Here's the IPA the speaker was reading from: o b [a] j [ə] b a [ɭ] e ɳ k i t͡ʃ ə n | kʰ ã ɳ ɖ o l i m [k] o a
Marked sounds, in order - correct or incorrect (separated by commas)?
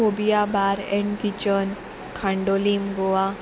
incorrect, incorrect, incorrect, incorrect